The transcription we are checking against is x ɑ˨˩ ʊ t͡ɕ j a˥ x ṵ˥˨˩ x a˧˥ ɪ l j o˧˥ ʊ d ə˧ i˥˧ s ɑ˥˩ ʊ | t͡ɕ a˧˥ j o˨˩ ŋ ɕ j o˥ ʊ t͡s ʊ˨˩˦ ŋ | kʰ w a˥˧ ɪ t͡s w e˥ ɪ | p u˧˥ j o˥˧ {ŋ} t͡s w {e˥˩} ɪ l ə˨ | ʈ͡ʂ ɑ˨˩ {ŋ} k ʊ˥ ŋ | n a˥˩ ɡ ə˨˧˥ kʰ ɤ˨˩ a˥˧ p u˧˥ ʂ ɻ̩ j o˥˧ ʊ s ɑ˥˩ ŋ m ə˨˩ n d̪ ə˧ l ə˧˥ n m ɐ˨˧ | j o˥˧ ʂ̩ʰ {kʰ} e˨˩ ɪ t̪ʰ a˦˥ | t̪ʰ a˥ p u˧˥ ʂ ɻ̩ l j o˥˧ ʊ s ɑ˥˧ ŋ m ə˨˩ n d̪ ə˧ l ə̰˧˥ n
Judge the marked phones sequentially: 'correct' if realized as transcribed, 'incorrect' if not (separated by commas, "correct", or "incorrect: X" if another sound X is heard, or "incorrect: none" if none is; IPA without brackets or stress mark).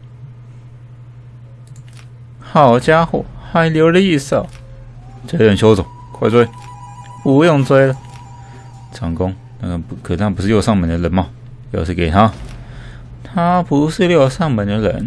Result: correct, incorrect: e˥, correct, incorrect: k